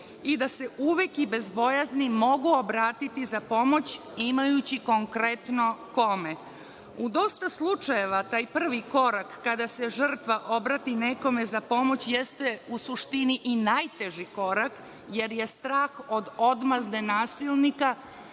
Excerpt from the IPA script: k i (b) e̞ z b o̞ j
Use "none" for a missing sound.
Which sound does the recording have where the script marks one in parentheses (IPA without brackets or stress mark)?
b